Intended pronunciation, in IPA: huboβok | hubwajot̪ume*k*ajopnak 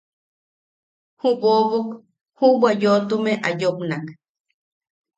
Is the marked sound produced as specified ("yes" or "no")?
no